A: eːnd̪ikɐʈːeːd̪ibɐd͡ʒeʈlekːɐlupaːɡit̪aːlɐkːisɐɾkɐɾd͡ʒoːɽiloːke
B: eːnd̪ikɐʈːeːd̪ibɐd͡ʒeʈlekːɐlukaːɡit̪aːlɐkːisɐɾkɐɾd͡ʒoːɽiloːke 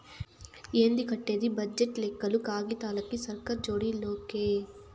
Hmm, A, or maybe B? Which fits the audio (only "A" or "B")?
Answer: B